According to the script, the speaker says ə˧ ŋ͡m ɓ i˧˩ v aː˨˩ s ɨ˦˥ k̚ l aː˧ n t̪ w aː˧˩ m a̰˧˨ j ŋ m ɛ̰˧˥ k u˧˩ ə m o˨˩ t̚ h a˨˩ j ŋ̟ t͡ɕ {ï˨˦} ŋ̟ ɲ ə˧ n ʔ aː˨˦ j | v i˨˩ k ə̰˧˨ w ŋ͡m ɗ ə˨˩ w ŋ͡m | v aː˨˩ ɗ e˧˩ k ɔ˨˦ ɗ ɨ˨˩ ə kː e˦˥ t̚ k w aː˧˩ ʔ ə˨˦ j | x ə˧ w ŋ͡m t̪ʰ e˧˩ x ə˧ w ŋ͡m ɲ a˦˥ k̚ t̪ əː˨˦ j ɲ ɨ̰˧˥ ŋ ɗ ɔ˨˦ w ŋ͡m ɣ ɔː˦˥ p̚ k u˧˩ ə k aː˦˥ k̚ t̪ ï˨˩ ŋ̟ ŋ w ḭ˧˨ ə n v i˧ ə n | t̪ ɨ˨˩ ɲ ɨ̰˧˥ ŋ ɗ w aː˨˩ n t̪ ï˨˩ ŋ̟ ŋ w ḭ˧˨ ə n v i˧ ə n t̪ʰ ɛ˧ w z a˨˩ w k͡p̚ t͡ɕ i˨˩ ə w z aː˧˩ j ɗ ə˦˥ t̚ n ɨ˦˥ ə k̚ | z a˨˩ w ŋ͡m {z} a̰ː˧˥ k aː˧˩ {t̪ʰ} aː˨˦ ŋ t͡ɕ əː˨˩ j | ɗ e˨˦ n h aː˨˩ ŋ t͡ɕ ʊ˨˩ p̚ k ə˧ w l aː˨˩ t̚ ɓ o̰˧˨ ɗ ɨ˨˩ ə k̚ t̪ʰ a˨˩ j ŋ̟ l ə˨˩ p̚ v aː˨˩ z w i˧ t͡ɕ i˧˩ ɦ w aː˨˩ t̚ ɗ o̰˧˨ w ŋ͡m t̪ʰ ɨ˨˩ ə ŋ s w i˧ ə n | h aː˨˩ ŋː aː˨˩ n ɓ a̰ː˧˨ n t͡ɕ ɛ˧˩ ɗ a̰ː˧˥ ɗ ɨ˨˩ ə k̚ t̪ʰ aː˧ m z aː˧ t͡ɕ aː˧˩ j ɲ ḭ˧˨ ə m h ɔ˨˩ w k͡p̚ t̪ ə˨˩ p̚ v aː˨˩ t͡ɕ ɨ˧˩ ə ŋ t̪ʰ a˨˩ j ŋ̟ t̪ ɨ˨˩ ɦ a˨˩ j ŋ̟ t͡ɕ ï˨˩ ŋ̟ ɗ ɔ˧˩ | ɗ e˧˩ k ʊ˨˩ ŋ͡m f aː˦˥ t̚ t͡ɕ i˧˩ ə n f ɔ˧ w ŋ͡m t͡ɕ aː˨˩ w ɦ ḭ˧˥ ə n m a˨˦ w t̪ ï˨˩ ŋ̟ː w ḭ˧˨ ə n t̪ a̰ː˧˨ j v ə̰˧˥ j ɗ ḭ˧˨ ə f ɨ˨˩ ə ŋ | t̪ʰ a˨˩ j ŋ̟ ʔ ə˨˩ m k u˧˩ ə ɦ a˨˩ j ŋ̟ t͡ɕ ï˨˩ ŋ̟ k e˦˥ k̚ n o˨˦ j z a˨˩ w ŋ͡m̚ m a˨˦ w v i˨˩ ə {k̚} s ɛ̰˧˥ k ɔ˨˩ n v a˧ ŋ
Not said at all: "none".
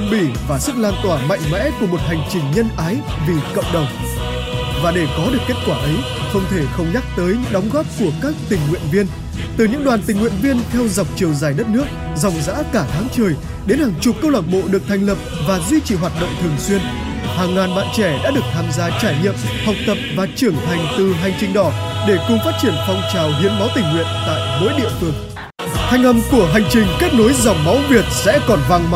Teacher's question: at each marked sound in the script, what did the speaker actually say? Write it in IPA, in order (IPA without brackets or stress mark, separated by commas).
ï˨˩, z, t̪ʰ, t̚